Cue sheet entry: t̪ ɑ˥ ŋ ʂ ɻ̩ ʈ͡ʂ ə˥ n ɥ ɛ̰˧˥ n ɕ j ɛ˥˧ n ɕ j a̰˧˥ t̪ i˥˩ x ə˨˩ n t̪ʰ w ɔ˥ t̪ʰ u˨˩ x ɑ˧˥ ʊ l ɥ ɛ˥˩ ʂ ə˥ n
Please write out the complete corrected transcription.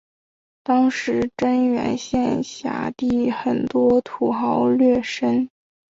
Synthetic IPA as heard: t̪ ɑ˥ ŋ ʂ ɻ̩ ʈ͡ʂ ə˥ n ɥ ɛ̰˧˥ n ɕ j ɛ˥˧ n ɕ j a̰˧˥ t̪ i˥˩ x ə˨˩ n t̪ w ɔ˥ t̪ʰ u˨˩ x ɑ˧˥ ʊ l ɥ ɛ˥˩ ʂ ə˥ n